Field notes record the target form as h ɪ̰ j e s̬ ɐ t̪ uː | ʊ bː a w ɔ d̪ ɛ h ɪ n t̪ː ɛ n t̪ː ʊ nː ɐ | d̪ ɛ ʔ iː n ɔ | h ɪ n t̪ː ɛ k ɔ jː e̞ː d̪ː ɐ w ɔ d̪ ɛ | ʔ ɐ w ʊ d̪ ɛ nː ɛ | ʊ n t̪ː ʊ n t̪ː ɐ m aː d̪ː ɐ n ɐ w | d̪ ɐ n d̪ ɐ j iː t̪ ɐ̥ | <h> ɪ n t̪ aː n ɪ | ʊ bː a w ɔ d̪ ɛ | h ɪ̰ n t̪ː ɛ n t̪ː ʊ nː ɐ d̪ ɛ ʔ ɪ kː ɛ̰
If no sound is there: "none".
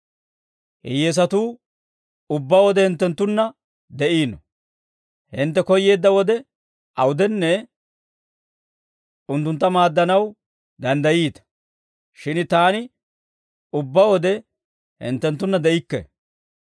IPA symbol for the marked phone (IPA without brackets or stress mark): ʃ